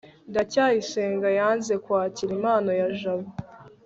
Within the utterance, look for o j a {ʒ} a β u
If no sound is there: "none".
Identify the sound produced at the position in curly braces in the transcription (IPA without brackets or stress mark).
ʒ